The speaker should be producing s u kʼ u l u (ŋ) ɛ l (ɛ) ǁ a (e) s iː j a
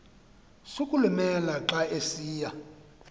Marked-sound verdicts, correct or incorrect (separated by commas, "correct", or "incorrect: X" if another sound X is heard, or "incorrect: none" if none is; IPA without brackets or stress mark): incorrect: m, incorrect: a, correct